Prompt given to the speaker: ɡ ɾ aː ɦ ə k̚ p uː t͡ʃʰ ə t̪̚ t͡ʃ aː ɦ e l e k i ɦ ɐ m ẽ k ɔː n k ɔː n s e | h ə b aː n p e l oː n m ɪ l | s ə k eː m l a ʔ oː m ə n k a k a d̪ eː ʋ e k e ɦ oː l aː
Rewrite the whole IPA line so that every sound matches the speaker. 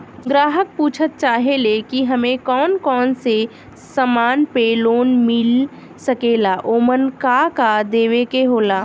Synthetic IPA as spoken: ɡ ɾ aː ɦ ə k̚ p uː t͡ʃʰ ə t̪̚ t͡ʃ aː ɦ e l e k i ɦ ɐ m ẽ k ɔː n k ɔː n s e | s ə m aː n p e l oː n m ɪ l | s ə k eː l a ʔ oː m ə n k a k a d̪ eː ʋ e k e ɦ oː l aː